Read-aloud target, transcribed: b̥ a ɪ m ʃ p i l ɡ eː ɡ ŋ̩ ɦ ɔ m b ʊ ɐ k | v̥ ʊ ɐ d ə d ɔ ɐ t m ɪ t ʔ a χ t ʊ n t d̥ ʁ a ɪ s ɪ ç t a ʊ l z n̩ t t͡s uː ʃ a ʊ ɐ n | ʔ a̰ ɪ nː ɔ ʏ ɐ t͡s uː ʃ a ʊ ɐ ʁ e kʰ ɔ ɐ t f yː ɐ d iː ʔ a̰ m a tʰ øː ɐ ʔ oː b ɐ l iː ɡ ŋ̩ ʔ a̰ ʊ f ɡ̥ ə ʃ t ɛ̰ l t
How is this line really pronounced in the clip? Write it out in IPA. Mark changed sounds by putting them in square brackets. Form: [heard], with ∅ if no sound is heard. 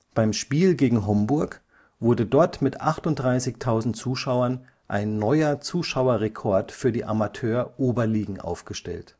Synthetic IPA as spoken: b̥ a ɪ m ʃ p [iː] l ɡ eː ɡ ŋ̩ ɦ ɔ m b ʊ ɐ k | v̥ ʊ ɐ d ə d ɔ ɐ t m ɪ t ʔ a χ t ʊ n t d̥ ʁ a ɪ s ɪ ç [tʰ] a ʊ [∅] z n̩ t t͡s uː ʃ a ʊ ɐ n | ʔ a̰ ɪ nː ɔ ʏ ɐ t͡s uː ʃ a ʊ ɐ ʁ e kʰ ɔ ɐ t f yː ɐ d iː ʔ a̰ m a tʰ øː ɐ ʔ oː b ɐ l iː ɡ ŋ̩ ʔ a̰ ʊ f ɡ̥ ə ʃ t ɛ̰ l t